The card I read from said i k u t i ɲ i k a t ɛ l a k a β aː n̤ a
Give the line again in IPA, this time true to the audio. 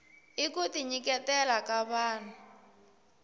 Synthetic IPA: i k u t i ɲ i k ɛ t ɛ l a k a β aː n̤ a